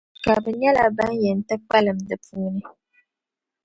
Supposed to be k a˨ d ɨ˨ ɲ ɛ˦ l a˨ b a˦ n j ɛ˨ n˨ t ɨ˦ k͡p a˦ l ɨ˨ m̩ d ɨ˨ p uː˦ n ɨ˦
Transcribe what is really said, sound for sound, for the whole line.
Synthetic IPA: k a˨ b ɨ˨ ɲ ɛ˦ l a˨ b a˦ n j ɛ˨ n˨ t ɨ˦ k͡p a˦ l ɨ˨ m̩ d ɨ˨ p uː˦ n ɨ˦